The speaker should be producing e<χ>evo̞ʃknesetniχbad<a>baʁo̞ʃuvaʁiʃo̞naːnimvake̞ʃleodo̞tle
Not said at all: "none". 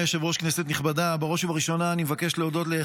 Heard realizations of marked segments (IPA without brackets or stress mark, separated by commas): ʃ, a